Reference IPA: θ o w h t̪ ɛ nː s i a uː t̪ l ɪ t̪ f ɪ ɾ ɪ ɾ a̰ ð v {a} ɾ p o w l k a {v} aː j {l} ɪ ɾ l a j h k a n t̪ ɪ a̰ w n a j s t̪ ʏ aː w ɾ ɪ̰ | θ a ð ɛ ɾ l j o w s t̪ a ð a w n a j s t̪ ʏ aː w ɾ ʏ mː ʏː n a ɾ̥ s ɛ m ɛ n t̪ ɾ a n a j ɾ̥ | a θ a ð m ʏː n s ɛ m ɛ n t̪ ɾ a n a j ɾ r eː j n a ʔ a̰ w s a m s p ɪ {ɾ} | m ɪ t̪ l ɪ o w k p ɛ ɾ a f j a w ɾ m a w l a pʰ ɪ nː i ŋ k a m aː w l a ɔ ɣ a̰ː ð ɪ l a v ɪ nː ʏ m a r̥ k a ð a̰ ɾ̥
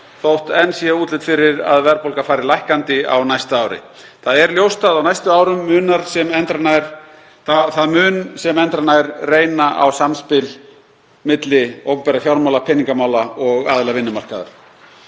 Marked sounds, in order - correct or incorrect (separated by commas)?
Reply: incorrect, incorrect, incorrect, incorrect